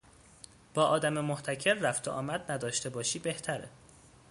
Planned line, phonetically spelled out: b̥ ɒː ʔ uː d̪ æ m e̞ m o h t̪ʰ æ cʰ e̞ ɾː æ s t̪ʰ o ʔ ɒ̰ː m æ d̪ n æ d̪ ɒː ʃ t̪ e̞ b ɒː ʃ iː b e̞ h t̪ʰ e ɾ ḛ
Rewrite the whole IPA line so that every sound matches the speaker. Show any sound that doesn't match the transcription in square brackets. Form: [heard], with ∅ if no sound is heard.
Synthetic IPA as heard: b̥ ɒː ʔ [ɒː] d̪ æ m e̞ m o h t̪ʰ æ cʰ e̞ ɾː æ [f] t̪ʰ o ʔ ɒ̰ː m æ d̪ n æ d̪ ɒː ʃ t̪ e̞ b ɒː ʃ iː b e̞ h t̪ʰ [æ] ɾ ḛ